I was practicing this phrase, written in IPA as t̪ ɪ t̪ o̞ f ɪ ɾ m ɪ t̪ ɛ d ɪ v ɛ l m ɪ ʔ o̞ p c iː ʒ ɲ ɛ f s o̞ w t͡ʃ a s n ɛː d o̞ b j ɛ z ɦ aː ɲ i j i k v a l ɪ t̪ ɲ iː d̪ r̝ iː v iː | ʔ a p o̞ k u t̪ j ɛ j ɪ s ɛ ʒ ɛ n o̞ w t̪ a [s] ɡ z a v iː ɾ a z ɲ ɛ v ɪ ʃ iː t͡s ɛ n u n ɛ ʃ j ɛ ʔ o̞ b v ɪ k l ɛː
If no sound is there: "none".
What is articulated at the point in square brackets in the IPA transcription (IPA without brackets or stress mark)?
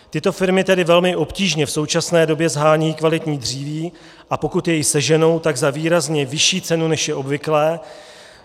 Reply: none